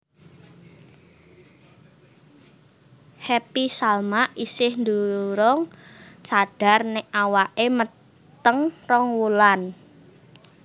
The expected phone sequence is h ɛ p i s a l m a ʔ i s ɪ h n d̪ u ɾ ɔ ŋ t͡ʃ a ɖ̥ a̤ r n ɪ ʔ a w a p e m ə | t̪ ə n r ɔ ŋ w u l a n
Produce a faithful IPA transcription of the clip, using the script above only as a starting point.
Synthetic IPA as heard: h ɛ p i s a l m a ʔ i s ɪ h n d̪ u ɾ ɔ ŋ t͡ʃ a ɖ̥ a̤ r n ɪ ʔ a w a ʔ e m ə | t̪ ə ŋ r ɔ ŋ w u l a n